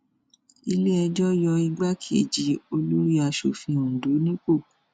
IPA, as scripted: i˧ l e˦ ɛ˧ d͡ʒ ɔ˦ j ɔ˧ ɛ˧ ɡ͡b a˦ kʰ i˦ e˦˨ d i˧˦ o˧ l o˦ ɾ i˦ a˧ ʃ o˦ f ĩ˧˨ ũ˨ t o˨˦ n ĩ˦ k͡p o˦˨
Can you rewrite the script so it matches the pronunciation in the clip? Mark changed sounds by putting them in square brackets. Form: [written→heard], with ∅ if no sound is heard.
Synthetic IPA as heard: i˧ l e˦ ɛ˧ d͡ʒ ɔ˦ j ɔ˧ [ɛ˧→i˧] ɡ͡b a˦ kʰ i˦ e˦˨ [d→d͡ʒ] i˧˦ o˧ l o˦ ɾ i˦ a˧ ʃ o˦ f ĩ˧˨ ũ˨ [t→d] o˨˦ n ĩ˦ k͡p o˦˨